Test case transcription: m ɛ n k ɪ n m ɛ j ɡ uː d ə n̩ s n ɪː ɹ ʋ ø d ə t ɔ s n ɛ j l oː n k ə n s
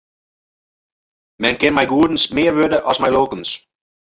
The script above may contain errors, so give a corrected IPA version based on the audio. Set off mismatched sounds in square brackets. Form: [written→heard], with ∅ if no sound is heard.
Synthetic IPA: m ɛ n k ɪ n m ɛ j ɡ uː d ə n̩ s [n→m] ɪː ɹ ʋ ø d ə [t→ʔ] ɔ s [n→m] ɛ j l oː [n→∅] k ə n s